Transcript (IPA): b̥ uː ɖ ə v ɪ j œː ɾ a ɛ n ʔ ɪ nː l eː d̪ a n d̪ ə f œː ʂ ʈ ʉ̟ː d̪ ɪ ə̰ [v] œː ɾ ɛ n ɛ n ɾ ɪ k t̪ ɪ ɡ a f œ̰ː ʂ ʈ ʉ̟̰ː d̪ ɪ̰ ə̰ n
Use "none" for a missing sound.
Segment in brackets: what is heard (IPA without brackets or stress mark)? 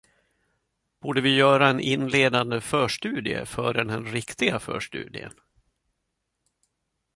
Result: f